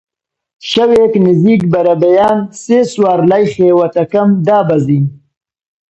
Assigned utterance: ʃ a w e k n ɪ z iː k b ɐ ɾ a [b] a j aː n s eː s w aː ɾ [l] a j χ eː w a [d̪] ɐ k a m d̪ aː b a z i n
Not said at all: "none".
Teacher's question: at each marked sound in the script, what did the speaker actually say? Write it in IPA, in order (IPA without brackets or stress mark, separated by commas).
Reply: b, l, t̪